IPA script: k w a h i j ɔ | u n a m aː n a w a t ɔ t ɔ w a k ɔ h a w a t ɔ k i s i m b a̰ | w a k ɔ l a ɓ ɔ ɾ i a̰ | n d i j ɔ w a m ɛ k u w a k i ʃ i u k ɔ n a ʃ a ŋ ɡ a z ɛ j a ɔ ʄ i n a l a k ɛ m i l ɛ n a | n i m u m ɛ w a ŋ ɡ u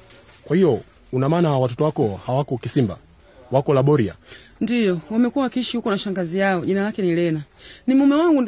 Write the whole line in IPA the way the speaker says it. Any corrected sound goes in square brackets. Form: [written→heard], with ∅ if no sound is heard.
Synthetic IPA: k w a h i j ɔ | u n a m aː n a w a t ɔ t ɔ w a k ɔ h a w a [t→k] ɔ k i s i m b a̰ | w a k ɔ l a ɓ ɔ ɾ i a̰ | n d i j ɔ w a m ɛ k u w a k i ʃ i u k ɔ n a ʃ a ŋ ɡ a z [ɛ→i] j a ɔ ʄ i n a l a k ɛ [m→n] i l ɛ n a | n i m u m ɛ w a ŋ ɡ u